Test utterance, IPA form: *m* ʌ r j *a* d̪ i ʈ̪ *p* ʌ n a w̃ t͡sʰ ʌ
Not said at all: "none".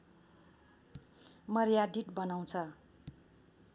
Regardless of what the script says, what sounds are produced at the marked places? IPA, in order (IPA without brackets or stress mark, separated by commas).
m, a, b